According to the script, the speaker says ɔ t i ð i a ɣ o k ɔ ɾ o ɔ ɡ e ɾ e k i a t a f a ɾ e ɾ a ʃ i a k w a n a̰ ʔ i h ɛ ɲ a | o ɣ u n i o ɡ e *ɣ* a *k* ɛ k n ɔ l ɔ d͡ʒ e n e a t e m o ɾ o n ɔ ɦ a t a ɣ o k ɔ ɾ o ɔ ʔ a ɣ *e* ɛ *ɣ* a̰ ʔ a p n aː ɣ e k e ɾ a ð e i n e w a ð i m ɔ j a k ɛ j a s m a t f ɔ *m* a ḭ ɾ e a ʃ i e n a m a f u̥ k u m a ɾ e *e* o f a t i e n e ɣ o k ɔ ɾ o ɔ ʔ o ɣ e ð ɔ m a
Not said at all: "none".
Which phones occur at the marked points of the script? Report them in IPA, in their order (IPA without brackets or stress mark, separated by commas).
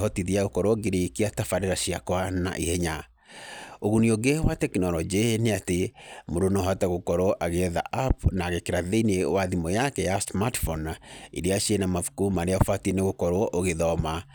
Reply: w, t, e, ð, n, a